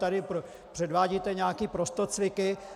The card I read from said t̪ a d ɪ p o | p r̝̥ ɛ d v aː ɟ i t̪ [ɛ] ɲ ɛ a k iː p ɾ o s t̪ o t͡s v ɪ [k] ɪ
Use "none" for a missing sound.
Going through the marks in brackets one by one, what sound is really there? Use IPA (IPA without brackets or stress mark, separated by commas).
ɛ, k